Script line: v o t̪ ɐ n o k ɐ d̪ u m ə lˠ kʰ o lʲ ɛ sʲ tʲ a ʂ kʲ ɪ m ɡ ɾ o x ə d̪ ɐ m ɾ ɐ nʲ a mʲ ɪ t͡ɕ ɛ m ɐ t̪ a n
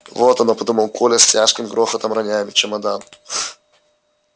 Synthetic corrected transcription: v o t̪ ɐ n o p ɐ d̪ u m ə lˠ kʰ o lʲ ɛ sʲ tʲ a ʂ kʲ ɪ m ɡ ɾ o x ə t̪ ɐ m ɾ ɐ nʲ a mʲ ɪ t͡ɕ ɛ m ɐ d̪ a n